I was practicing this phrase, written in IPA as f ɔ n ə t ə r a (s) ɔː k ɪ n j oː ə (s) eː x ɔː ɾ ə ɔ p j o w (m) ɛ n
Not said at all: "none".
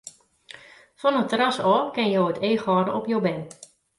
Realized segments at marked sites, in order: s, t, b

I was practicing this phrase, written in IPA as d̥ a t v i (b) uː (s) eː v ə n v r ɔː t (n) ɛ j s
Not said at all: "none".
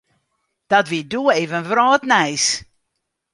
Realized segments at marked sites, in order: d, none, n

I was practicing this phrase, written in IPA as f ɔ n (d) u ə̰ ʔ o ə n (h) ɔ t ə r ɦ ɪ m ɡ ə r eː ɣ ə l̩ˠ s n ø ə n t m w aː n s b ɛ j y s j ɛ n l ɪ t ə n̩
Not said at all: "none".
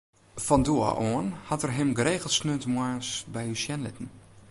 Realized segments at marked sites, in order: d, h

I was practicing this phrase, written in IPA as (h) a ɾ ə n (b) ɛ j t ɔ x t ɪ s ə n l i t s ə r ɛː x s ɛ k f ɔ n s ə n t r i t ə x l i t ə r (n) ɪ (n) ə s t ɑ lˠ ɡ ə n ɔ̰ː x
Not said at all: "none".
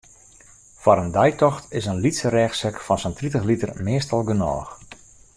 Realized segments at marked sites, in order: f, d, m, none

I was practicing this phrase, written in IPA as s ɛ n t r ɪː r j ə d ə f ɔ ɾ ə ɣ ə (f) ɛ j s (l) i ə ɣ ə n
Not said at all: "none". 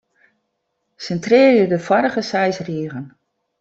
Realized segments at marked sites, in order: s, r

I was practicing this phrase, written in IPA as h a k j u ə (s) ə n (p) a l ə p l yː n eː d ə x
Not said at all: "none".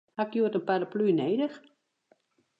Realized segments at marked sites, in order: t, p

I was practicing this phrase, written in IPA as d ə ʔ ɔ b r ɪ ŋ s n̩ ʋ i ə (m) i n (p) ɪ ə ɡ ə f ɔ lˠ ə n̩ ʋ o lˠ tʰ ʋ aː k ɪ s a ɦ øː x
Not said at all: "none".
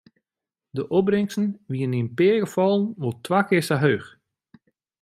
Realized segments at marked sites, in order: n, p

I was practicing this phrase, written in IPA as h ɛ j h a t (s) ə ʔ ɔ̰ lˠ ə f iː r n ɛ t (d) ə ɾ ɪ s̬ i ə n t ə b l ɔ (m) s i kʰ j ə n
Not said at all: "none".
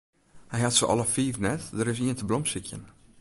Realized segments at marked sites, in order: s, d, m

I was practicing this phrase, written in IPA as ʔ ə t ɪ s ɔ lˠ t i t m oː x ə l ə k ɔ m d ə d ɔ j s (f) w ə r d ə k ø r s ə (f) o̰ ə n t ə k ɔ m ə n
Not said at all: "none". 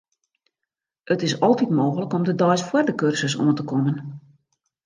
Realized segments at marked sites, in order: f, s

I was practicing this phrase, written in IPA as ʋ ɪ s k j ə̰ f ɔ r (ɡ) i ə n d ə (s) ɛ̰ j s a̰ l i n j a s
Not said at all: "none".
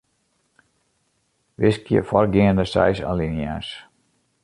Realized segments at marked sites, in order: ɡ, s

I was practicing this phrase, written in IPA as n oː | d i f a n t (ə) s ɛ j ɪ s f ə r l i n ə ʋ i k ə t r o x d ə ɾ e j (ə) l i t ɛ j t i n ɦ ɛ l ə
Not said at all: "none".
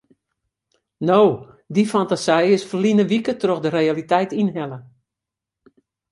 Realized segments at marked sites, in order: a, a

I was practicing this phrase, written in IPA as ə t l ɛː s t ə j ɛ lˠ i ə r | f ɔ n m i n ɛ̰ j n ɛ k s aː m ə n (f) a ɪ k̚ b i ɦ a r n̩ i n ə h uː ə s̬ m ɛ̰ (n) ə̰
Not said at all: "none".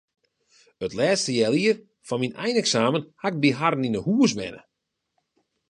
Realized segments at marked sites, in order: h, n

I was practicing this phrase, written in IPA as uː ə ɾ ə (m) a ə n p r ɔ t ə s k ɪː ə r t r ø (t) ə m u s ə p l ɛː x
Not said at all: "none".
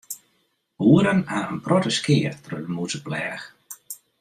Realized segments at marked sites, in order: n, d

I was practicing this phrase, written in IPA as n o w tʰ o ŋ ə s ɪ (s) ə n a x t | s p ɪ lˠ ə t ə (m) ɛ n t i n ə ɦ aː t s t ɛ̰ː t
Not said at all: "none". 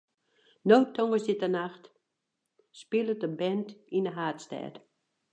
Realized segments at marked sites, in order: t, b

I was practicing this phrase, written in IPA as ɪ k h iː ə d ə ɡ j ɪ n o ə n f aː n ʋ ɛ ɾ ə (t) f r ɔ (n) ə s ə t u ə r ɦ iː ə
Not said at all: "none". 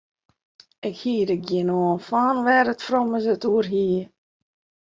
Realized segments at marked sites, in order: t, m

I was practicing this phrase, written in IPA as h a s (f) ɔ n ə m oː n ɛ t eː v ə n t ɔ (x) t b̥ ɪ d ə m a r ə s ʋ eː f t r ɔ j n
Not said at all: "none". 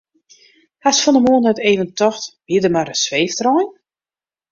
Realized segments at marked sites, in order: f, x

